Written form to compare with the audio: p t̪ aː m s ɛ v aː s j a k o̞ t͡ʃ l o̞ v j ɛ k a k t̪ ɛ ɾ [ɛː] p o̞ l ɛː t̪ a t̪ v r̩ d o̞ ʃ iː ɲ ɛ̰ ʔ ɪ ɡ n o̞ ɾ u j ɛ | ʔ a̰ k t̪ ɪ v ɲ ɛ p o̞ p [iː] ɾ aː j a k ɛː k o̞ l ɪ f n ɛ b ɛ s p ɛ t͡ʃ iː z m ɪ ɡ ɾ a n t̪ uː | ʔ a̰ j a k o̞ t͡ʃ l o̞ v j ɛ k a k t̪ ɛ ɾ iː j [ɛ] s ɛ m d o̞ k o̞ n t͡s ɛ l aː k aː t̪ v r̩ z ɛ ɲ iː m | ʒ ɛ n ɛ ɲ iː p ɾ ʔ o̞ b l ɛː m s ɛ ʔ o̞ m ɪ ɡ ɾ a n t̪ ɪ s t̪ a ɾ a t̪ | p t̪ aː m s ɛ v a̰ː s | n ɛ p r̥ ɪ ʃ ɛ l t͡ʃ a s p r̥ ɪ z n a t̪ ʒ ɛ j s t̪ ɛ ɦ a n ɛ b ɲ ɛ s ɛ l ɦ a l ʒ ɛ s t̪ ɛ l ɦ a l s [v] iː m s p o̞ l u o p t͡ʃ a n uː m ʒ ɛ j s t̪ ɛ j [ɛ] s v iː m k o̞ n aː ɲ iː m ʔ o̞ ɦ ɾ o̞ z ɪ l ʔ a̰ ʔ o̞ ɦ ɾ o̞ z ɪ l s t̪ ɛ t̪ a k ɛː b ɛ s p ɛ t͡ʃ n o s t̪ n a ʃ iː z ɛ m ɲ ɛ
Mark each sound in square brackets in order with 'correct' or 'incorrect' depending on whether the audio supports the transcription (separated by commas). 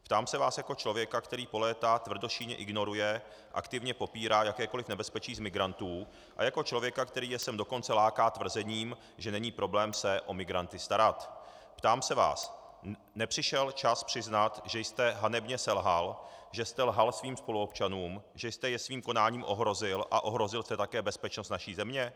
incorrect, correct, correct, correct, correct